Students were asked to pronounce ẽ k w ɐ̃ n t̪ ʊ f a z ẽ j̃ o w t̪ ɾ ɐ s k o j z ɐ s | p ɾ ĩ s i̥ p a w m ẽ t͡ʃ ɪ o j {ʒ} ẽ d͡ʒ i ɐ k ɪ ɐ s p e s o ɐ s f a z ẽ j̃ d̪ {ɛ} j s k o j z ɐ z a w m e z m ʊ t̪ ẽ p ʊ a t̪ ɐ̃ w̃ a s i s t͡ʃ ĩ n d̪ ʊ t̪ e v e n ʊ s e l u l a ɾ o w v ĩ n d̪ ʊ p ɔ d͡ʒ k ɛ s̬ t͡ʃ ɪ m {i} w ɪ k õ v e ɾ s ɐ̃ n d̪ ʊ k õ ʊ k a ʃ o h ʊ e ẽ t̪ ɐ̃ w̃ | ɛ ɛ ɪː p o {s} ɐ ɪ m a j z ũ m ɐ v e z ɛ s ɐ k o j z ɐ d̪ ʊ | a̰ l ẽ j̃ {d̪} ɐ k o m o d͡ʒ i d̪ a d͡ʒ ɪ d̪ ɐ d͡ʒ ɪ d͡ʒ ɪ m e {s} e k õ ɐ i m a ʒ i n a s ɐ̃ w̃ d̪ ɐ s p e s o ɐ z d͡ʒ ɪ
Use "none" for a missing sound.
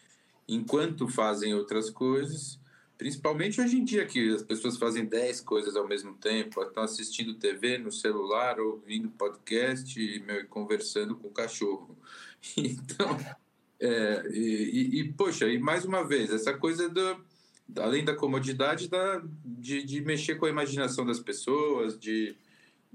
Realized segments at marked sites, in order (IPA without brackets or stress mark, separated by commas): ʒ, ɛ, e, ʃ, d̪, ʃ